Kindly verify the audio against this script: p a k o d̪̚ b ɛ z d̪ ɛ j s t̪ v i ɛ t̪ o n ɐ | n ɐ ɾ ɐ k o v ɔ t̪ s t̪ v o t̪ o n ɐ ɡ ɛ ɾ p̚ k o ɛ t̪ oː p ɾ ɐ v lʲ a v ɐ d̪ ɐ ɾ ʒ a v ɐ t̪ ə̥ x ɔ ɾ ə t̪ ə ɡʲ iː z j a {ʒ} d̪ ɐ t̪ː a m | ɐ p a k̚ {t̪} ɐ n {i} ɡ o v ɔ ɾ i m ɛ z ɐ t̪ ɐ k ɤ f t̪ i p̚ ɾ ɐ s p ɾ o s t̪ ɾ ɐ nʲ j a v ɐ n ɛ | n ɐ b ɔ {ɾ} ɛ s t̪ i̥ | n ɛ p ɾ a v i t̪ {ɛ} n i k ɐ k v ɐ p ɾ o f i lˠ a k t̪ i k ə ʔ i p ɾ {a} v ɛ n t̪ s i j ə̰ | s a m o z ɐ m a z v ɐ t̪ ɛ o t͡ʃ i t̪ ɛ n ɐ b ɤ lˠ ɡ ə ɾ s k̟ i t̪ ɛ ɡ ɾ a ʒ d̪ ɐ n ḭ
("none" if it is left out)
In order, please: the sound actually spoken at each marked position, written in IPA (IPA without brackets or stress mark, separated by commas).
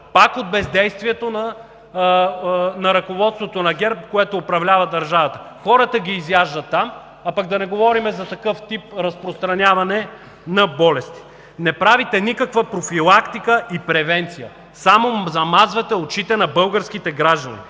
ʒ, d̪, ɛ, l, ɛ, ɛ